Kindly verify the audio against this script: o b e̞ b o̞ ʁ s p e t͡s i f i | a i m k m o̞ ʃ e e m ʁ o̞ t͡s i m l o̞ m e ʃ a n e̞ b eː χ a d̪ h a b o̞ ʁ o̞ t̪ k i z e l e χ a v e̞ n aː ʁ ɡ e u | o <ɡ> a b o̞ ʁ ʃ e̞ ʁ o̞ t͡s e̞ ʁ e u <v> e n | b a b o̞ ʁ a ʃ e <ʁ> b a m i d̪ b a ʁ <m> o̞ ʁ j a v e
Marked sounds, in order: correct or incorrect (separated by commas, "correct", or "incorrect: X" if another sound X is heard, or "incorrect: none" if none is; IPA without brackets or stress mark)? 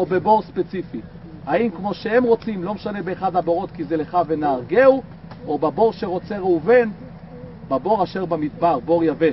incorrect: b, correct, correct, incorrect: b